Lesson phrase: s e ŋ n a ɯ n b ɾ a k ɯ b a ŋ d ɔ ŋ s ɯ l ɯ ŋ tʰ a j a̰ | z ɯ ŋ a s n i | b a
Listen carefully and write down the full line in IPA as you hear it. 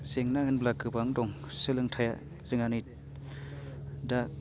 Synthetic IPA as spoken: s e ŋ n a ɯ n b l a k ɯ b a ŋ d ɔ ŋ s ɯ l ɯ ŋ tʰ a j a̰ | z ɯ ŋ a n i | d a